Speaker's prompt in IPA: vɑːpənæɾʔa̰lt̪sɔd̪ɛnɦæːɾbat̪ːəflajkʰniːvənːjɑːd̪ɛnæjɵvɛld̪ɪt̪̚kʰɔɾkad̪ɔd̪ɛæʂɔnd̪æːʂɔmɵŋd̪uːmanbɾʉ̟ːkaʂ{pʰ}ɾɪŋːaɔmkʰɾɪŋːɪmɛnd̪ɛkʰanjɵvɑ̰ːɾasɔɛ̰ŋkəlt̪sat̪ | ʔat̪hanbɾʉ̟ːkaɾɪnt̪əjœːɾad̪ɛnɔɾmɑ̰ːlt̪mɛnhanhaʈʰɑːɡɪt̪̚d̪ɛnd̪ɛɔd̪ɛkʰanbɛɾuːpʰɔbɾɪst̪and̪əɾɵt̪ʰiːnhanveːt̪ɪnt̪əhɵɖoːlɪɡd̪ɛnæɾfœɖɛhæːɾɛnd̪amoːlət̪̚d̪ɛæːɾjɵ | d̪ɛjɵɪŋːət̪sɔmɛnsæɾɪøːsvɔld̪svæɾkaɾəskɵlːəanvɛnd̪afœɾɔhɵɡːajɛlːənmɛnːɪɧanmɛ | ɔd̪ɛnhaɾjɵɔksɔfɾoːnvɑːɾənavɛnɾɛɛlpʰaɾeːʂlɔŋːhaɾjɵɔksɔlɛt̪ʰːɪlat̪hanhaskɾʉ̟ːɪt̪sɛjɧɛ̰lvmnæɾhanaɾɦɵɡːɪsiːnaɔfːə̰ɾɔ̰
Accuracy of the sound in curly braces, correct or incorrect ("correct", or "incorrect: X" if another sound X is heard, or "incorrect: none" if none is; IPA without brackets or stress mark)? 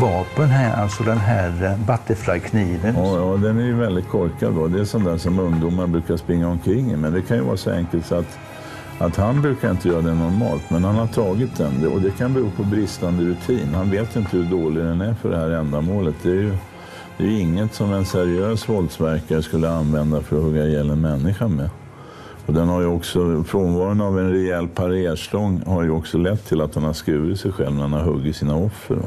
incorrect: p